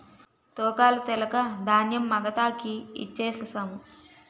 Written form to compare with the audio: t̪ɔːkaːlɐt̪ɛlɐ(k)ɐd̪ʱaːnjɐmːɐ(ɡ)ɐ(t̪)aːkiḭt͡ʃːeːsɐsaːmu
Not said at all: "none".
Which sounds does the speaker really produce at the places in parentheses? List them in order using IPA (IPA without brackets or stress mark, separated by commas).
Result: k, ɡ, t̪